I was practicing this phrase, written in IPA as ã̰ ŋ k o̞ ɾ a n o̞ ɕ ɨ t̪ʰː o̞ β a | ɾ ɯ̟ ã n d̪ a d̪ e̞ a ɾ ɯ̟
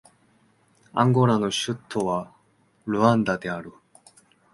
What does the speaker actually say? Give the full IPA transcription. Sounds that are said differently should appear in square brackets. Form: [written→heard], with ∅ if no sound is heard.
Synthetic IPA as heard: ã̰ ŋ [k→ɡ] o̞ ɾ a n o̞ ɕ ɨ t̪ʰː o̞ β a | ɾ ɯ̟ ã n d̪ a d̪ e̞ a ɾ ɯ̟